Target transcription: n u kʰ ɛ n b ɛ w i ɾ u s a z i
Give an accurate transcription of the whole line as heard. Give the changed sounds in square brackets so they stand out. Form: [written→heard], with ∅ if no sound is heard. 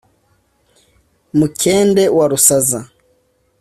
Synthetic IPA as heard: [n→m] u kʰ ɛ n [b→d] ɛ w [i→a] ɾ u s a z [i→a]